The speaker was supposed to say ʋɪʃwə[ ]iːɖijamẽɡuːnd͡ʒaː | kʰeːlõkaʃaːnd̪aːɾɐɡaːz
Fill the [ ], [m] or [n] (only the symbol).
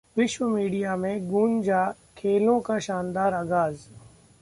m